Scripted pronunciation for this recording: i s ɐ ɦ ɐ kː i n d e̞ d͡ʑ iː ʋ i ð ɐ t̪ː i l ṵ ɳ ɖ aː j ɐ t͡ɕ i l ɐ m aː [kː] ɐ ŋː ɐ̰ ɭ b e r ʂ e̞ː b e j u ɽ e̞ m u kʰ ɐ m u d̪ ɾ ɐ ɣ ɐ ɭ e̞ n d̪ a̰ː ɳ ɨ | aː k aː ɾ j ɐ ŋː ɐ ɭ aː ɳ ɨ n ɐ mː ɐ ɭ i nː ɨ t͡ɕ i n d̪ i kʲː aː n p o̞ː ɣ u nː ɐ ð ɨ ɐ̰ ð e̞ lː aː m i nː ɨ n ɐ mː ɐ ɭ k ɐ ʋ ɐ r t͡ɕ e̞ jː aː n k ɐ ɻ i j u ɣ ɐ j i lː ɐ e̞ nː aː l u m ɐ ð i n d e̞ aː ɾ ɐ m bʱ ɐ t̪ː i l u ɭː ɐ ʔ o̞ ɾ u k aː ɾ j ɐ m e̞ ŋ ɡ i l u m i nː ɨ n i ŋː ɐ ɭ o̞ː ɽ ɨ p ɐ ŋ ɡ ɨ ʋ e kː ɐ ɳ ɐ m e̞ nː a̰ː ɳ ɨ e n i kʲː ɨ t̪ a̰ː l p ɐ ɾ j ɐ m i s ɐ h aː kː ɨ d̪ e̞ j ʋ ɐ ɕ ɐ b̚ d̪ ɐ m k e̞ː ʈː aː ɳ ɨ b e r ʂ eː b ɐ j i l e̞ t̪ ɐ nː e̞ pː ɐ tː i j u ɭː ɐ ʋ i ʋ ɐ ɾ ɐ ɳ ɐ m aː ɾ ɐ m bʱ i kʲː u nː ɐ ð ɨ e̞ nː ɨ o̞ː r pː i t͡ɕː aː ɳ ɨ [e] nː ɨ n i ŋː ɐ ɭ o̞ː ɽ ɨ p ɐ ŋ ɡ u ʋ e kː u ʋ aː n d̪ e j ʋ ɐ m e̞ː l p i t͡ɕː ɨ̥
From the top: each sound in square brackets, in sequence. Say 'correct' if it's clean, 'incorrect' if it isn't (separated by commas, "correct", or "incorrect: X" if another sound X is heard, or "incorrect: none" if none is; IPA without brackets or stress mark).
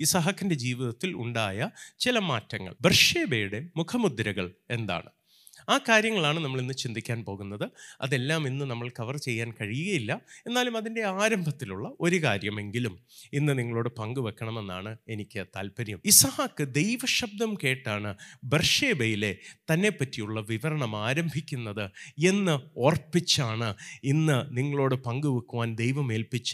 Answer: incorrect: tː, incorrect: i